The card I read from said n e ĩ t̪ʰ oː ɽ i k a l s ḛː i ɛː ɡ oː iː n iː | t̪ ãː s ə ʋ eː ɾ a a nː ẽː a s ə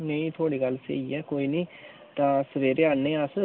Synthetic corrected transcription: n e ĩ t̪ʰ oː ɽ i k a l s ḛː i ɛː k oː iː n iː | t̪ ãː s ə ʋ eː ɾ e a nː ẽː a s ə